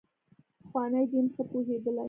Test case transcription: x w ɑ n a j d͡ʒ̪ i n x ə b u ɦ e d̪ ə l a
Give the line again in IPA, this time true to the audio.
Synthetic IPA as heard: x w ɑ n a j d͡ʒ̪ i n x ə p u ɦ e d̪ ə l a